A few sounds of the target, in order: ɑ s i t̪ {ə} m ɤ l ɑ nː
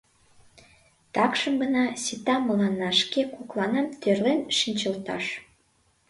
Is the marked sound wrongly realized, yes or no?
yes